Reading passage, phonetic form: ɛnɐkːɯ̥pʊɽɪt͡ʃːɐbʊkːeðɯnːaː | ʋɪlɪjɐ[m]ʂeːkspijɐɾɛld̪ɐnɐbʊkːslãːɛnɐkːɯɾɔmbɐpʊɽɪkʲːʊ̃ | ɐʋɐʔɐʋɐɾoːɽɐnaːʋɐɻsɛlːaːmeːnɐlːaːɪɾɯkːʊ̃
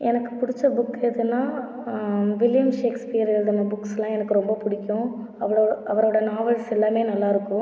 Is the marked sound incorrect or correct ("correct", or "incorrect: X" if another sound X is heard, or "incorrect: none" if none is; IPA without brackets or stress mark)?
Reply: correct